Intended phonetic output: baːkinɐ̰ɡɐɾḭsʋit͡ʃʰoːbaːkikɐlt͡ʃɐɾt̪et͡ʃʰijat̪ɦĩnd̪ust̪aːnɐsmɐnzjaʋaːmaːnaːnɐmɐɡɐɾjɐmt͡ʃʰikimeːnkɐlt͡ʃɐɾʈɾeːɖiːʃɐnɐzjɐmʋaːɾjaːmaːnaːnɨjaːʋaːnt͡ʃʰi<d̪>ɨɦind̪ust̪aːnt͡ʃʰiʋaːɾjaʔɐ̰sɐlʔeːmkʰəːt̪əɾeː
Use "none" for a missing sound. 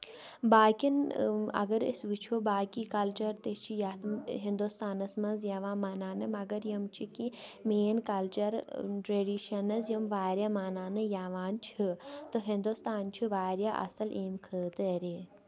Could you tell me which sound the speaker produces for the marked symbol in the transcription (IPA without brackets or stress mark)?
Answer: t̪